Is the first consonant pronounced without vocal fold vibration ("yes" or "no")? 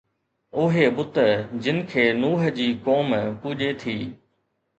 no